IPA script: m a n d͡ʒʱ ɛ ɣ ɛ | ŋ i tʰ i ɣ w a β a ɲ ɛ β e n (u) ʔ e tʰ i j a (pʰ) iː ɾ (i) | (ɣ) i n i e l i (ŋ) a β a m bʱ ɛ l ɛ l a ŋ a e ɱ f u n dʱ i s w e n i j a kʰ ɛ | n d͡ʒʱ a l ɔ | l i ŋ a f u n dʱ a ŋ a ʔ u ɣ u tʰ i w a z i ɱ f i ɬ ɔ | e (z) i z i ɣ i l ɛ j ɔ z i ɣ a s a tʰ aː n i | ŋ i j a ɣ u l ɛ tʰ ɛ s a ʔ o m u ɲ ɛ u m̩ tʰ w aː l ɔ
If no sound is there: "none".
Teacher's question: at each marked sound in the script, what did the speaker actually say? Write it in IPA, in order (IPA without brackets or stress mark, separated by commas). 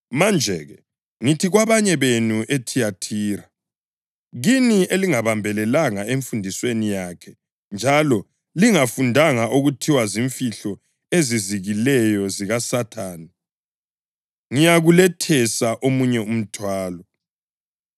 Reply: u, tʰ, a, ɣ, ŋ, z